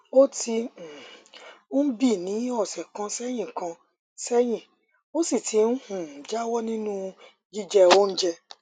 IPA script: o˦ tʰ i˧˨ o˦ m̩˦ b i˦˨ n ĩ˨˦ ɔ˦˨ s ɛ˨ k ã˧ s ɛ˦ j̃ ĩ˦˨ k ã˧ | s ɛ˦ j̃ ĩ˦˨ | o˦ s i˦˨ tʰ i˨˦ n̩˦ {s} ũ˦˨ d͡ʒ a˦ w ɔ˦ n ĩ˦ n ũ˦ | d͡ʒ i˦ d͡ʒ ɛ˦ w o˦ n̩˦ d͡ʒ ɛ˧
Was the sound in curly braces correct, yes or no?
no